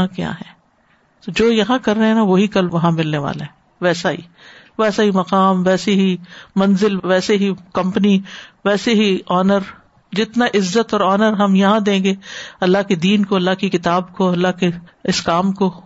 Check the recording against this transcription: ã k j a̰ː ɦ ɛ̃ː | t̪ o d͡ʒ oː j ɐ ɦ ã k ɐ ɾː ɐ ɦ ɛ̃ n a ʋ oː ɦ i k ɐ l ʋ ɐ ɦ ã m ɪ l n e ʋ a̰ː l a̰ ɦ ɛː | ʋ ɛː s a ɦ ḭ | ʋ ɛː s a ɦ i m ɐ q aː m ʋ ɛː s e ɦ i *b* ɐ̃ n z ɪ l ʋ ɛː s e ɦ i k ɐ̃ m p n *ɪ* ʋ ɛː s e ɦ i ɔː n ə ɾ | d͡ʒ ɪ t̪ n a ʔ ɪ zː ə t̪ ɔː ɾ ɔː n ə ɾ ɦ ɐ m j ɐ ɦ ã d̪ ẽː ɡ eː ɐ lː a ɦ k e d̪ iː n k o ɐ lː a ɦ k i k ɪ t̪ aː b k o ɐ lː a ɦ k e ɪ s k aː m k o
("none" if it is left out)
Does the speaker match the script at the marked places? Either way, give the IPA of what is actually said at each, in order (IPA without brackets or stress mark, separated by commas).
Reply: m, i